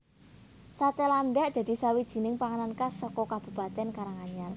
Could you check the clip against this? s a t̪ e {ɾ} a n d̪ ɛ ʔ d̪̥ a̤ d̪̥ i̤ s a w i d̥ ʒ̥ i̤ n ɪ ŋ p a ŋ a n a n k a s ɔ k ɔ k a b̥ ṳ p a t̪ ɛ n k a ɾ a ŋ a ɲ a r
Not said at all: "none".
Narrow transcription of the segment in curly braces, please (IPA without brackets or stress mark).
l